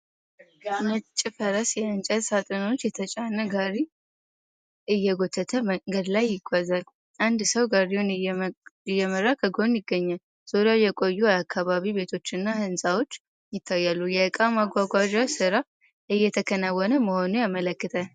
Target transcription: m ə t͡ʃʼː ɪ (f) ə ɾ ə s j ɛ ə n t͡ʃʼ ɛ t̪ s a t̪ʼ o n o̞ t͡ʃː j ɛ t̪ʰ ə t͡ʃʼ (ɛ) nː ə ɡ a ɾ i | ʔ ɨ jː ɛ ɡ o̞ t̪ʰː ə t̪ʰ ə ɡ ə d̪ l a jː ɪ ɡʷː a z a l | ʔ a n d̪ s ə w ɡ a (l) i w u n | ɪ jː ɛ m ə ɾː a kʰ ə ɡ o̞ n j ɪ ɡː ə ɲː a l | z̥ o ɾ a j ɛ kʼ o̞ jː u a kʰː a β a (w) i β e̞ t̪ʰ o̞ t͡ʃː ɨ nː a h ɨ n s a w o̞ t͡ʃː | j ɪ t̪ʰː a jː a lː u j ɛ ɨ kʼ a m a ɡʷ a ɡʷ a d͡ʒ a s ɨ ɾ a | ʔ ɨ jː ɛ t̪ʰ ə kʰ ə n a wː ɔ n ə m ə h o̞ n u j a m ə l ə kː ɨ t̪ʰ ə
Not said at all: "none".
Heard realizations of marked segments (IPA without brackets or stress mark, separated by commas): f, a, ɾ, β